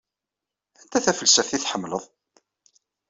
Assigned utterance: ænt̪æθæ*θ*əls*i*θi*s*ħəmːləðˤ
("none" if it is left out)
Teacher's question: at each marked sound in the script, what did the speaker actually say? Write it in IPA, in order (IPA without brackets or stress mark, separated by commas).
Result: f, æ, θ